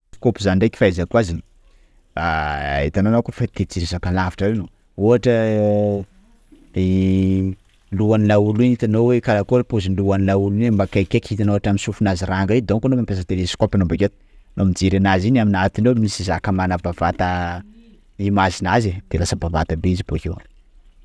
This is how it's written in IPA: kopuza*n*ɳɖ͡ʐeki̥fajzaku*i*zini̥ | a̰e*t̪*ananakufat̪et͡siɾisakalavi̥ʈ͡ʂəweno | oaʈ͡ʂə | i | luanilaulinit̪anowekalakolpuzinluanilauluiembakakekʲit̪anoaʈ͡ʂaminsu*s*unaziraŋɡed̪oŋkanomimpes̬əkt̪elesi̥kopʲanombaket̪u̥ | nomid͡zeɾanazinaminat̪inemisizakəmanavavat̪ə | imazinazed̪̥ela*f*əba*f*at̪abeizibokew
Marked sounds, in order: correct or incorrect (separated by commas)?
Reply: correct, incorrect, correct, incorrect, incorrect, incorrect